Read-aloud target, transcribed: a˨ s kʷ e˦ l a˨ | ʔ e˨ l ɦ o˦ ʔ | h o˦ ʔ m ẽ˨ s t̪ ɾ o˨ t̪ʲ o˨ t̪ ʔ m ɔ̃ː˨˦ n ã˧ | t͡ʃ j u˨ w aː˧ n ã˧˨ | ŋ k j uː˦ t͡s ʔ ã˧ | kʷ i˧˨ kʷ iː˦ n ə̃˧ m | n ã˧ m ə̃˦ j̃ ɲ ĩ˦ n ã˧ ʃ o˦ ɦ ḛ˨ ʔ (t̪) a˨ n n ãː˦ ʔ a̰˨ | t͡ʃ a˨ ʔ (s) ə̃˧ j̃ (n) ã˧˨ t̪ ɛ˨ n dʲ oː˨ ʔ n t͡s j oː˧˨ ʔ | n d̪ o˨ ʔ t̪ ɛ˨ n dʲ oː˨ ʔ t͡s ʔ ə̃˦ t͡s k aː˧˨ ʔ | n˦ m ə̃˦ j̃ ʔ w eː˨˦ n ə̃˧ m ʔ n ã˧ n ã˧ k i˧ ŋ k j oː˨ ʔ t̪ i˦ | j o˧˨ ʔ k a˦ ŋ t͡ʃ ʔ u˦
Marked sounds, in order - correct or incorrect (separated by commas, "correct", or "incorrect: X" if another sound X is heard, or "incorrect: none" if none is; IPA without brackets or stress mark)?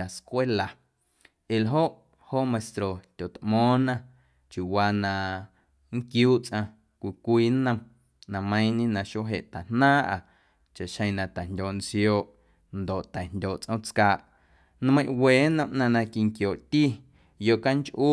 correct, incorrect: ʃ, correct